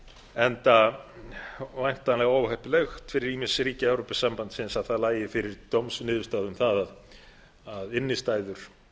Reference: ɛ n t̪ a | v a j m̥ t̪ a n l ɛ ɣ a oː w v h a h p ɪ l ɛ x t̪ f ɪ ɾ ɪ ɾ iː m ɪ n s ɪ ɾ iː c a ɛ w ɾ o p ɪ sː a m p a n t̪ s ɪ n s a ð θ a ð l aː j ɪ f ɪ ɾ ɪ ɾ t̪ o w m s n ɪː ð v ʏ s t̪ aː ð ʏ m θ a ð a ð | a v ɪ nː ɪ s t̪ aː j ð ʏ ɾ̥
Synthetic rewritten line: ɛ n t̪ a | v a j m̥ t̪ a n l ɛ ɣ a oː w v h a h p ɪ l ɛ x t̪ f ɪ ɾ ɪ ɾ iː m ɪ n s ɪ ɾ iː c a ɛ w ɾ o p ɪ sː a m p a n t̪ s ɪ n s a ð θ a ð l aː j ɪ f ɪ ɾ ɪ ɾ t̪ o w m s n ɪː ð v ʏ s t̪ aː ð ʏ m θ a ð a ð | a ð ɪ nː ɪ s t̪ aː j ð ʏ ɾ̥